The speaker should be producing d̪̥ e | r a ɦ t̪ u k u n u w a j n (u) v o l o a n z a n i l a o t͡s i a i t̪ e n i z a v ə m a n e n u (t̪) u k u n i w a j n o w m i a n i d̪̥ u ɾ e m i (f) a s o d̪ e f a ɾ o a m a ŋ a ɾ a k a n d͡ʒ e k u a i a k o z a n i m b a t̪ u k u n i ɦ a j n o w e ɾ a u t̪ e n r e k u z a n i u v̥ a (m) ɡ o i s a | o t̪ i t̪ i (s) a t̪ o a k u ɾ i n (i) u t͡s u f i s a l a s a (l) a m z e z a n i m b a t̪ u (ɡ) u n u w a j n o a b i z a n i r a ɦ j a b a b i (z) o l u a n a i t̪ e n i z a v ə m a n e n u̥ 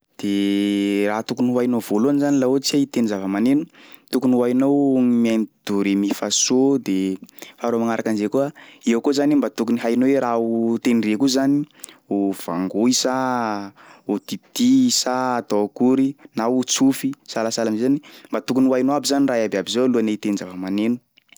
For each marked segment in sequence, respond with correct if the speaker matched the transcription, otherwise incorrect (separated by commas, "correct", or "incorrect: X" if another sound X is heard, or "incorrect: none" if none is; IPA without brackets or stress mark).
incorrect: o, correct, correct, incorrect: ŋ, correct, incorrect: a, correct, incorrect: k, correct